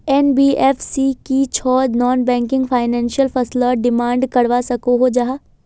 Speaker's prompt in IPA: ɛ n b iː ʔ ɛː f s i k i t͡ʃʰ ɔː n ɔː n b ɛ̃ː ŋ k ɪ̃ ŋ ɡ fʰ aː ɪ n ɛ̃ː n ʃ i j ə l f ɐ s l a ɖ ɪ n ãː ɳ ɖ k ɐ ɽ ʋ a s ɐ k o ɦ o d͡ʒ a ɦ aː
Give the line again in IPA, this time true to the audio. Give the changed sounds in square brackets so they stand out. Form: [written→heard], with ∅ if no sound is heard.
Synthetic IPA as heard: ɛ n b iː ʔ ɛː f s i k i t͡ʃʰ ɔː n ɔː n b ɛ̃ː ŋ k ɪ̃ ŋ ɡ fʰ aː ɪ n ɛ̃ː n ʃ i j ə l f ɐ s l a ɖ ɪ [n→m] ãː ɳ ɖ k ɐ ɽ ʋ a s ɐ k o ɦ o d͡ʒ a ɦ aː